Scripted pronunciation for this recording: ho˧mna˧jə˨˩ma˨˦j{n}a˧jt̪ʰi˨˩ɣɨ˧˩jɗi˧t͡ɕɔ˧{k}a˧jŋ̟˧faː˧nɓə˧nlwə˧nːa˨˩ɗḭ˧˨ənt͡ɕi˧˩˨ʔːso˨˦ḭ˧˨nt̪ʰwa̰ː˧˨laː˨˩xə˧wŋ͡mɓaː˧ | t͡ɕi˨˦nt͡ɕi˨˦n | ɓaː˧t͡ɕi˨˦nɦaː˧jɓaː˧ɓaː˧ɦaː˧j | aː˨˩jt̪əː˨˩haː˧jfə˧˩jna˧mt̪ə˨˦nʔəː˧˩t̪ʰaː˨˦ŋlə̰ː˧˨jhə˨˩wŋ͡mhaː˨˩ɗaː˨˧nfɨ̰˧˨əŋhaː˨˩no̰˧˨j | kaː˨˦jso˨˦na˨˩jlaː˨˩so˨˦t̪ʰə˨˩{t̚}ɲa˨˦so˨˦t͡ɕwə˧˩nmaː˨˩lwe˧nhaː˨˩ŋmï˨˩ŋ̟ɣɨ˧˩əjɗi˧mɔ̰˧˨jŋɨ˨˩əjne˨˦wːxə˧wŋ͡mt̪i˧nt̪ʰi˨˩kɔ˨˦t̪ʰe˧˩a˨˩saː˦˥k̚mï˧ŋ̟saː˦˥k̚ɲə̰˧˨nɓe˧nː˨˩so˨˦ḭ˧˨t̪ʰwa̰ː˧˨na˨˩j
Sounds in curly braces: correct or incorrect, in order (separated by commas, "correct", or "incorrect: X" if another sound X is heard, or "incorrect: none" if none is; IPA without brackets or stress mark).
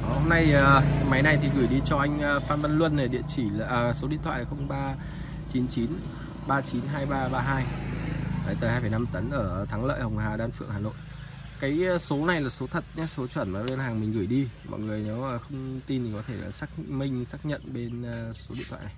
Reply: correct, incorrect: ʔ, correct